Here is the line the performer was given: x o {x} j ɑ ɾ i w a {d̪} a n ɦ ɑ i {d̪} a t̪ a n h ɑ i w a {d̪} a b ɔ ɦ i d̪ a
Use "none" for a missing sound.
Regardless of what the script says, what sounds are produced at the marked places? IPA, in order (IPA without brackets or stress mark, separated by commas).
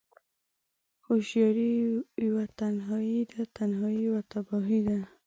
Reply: ʃ, t̪, d̪, t̪